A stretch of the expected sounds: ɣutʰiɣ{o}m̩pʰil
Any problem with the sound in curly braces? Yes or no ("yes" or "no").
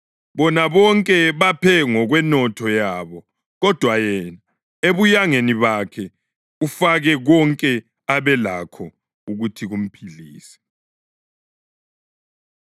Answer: yes